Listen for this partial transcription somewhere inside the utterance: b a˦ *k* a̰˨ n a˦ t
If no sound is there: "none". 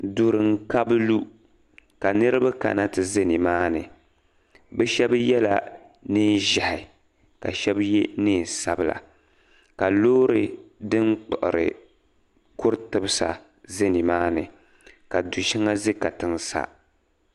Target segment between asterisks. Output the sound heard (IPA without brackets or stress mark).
k